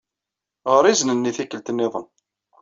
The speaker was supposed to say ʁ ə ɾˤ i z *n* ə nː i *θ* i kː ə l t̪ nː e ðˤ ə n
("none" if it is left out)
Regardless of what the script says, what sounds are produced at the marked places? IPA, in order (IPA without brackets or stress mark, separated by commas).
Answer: n, θ